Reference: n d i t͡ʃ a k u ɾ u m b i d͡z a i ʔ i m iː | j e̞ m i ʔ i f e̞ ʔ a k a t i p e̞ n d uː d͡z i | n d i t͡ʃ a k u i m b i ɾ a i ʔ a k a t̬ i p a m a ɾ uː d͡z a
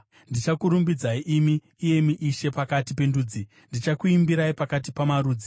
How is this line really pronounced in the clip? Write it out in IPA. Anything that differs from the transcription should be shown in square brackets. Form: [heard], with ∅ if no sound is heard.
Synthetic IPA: n d i t͡ʃ a k u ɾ u m b i d͡z a i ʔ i m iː | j e̞ m i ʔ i [ʃ] e̞ [p] a k a t i p e̞ n d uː d͡z i | n d i t͡ʃ a k u i m b i ɾ a i [p] a k a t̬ i p a m a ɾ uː d͡z [i]